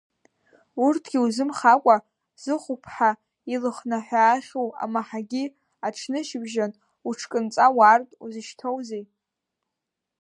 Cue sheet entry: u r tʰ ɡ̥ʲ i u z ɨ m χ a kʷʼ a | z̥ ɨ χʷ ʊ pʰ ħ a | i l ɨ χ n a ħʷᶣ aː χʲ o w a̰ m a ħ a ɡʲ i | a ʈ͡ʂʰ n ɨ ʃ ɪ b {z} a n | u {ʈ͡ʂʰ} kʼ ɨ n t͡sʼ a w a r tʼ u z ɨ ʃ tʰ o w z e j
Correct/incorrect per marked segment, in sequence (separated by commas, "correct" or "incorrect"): incorrect, correct